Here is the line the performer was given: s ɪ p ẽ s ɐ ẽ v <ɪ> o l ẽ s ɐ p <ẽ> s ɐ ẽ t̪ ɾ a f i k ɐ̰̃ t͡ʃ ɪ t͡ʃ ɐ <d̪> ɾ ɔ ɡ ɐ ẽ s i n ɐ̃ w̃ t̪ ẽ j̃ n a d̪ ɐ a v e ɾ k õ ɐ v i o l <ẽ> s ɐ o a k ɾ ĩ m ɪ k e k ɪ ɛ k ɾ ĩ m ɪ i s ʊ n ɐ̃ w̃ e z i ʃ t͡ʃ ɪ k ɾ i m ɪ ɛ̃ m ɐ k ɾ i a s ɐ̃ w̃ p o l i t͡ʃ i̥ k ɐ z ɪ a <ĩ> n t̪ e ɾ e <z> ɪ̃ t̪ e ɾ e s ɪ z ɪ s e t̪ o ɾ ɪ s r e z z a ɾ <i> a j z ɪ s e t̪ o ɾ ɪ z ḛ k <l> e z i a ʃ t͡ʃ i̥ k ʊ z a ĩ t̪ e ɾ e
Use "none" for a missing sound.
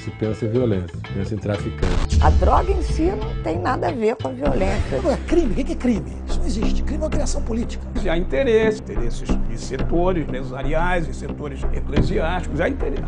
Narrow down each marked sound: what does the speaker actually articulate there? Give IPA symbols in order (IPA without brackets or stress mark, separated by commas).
i, ẽ, d̪, ẽ, ĩ, s, i, l